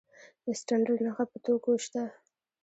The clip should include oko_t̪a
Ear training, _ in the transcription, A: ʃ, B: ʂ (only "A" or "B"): A